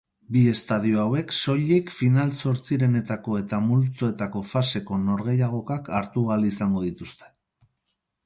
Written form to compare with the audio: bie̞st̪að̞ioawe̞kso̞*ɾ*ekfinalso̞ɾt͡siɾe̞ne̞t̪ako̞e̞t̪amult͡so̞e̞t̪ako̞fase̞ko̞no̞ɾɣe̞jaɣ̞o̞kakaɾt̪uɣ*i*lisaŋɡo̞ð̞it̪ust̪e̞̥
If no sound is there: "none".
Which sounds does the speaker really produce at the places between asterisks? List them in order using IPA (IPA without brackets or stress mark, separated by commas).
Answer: ʎ, a